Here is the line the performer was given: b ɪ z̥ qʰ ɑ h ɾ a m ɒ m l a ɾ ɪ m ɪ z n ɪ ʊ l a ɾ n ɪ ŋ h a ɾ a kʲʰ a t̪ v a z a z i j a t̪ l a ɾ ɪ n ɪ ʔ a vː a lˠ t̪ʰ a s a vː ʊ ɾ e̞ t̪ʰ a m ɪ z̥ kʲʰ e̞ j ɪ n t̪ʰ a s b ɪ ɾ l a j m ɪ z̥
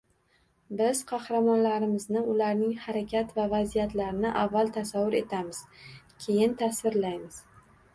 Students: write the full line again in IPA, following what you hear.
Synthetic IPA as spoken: b ɪ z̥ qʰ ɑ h ɾ a m ɒ n l a ɾ ɪ m ɪ z n ɪ ʊ l a ɾ n ɪ ŋ h a ɾ a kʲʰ a t̪ v a v a z i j a t̪ l a ɾ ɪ n ɪ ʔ a vː a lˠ t̪ʰ a s a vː ʊ ɾ e̞ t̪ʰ a m ɪ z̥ kʲʰ e̞ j ɪ n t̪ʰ a s v ɪ ɾ l a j m ɪ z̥